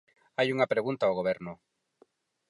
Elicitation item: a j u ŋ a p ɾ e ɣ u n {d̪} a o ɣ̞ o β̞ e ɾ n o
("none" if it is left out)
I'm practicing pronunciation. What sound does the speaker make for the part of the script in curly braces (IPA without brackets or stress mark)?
t̪